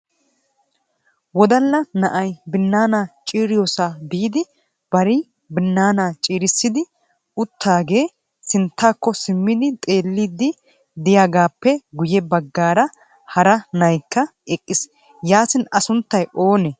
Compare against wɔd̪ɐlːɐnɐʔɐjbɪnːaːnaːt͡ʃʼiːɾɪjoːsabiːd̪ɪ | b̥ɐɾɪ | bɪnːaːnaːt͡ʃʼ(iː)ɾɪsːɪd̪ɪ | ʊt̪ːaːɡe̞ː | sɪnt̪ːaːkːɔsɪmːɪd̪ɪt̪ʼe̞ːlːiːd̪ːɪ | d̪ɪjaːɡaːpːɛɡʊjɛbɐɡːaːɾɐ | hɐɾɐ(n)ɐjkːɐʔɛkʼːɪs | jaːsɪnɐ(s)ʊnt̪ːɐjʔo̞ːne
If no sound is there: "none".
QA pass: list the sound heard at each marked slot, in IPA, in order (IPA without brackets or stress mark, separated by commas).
iː, n, s